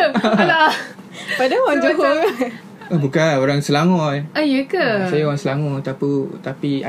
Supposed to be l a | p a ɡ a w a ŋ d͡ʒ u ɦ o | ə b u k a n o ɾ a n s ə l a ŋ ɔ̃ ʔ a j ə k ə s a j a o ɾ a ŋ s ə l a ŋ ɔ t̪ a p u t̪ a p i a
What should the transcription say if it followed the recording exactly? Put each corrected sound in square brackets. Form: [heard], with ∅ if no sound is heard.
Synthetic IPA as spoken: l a | p a [d] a w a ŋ d͡ʒ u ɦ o | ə b u k a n o ɾ a [ŋ] s ə l a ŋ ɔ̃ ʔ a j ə k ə s a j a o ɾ a ŋ s ə l a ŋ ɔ t̪ a p u t̪ a p i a